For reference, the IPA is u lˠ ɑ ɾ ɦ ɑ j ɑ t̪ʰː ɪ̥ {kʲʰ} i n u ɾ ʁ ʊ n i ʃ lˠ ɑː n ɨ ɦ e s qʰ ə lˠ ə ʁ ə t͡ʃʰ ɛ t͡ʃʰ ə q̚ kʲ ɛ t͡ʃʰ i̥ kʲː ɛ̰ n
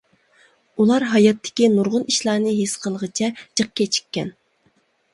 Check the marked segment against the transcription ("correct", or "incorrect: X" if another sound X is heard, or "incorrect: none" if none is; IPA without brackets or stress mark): incorrect: kʲ